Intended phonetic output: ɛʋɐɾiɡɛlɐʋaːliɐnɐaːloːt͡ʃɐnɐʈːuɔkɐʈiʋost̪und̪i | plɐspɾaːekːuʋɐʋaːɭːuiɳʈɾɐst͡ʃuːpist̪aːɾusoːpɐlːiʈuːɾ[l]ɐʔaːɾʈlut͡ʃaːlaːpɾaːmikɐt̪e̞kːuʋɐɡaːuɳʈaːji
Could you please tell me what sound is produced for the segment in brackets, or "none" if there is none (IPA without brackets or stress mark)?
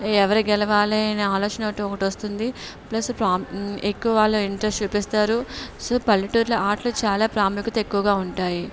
l